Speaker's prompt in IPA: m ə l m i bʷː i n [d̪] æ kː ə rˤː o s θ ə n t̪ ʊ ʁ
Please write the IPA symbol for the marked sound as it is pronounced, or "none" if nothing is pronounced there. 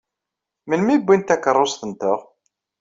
t̪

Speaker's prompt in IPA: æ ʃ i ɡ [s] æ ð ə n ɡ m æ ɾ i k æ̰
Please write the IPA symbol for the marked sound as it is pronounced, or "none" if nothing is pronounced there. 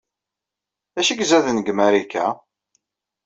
z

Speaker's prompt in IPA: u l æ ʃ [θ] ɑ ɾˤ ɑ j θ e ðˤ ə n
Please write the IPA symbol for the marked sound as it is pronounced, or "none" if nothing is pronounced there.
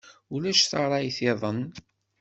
θ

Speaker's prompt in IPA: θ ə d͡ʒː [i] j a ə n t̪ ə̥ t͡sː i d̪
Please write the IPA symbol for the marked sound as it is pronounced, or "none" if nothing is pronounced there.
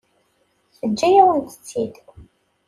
æ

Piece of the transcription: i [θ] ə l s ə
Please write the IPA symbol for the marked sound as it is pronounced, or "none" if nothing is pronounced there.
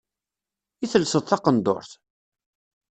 θ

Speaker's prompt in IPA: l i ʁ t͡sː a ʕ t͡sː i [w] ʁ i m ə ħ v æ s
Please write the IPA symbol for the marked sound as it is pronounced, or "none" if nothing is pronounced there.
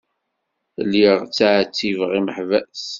v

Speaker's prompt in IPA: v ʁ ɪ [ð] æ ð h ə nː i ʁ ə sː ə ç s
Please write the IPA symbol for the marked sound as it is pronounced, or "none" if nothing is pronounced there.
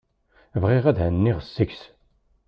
ʁ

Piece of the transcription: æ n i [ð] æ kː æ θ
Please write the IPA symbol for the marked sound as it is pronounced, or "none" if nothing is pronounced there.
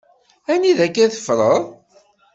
ð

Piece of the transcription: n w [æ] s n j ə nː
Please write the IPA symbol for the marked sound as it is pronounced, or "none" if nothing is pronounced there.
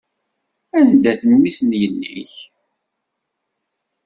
i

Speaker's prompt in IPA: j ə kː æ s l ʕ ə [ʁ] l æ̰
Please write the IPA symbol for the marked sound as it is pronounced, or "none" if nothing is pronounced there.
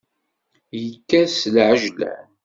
ʒ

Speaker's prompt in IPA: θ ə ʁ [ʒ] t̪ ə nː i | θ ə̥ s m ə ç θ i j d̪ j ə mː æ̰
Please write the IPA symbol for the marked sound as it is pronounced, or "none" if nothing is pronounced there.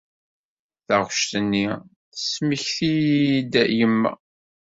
ʃ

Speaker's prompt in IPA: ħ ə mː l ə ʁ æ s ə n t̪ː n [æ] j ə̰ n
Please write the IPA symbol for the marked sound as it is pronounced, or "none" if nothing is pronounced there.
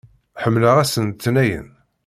æ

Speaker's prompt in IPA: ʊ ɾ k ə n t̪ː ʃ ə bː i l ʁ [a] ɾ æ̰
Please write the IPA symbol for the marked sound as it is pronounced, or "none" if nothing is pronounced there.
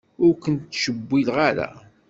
a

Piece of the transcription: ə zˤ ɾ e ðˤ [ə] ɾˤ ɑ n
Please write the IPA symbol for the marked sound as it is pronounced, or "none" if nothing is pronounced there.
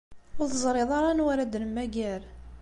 ɑ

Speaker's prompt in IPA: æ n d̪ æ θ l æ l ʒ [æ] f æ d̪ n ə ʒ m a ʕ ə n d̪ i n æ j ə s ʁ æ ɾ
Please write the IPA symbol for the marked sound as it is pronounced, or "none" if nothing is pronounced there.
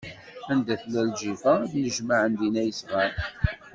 i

